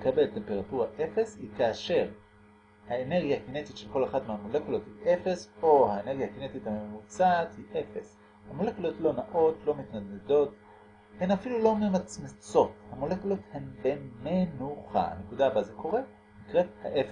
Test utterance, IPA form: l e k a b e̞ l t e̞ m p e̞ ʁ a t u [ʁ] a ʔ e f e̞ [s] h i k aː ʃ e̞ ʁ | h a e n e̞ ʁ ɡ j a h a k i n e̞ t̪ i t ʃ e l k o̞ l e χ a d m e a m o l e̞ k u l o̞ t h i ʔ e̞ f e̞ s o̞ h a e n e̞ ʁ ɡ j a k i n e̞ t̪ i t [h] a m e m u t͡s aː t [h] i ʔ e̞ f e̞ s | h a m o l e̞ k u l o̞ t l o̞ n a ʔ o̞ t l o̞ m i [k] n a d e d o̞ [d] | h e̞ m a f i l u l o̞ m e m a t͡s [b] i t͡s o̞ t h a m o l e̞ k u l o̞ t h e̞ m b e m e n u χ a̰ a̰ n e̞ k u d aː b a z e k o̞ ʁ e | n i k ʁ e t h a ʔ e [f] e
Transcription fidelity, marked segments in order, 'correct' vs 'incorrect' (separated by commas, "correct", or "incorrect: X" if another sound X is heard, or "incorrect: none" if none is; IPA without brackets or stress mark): correct, correct, correct, correct, incorrect: t, incorrect: t, incorrect: m, correct